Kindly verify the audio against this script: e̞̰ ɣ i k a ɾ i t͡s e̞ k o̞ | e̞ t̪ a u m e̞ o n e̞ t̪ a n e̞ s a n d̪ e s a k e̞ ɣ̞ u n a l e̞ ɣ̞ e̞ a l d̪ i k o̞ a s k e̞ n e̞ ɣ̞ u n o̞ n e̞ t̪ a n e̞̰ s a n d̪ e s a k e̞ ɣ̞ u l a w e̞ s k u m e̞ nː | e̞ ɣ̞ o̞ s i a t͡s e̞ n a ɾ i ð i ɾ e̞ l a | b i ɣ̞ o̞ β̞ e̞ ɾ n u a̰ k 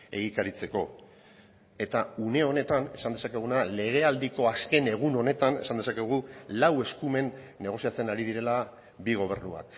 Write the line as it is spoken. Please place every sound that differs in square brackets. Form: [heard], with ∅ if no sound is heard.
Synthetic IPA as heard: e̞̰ ɣ i k a ɾ i t͡s e̞ k o̞ | e̞ t̪ a u [n] e̞ o n e̞ t̪ a n e̞ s a n d̪ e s a k e̞ ɣ̞ u n a l e̞ ɣ̞ e̞ a l d̪ i k o̞ a s k e̞ n e̞ ɣ̞ u n o̞ n e̞ t̪ a n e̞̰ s a n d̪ e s a k e̞ ɣ̞ u l a w e̞ s k u m e̞ nː | e̞ ɣ̞ o̞ s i a t͡s e̞ n a ɾ i ð i ɾ e̞ l a | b i ɣ̞ o̞ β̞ e̞ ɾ n u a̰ k